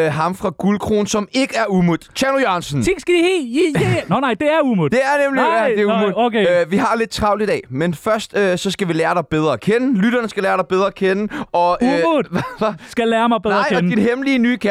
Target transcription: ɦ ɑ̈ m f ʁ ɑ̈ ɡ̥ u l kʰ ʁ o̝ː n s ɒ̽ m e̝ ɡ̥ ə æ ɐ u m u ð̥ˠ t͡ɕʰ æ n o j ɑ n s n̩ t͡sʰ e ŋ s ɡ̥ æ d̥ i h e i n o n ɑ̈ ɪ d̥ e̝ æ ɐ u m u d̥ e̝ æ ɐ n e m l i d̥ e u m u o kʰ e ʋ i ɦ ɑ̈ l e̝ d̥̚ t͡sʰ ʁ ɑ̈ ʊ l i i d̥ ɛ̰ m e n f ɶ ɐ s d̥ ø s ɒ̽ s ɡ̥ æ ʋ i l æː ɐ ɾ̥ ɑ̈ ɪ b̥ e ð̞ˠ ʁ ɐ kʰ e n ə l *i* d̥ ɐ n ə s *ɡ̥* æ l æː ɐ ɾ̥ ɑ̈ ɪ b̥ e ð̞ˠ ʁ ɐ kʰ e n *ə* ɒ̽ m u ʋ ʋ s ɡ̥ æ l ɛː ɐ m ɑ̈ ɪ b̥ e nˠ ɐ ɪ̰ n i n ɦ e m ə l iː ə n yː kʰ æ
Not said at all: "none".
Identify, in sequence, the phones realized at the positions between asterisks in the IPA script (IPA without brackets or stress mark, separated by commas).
y, ɡ̥, ə